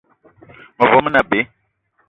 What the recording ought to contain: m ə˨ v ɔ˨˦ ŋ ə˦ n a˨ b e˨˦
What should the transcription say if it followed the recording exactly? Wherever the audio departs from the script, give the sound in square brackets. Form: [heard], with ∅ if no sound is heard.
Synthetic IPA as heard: m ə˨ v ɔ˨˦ [m] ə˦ n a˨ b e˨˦